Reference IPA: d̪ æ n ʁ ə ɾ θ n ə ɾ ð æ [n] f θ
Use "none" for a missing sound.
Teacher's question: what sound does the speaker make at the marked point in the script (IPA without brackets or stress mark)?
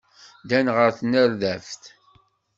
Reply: none